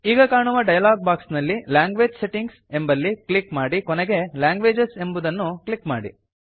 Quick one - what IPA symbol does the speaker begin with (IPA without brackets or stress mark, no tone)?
iː